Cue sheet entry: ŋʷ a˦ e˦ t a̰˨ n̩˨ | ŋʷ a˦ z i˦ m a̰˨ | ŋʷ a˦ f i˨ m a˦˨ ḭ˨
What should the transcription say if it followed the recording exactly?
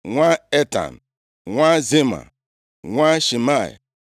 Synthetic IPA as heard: ŋʷ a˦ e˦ t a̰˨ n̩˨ | ŋʷ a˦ z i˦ m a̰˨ | ŋʷ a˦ ʃ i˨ m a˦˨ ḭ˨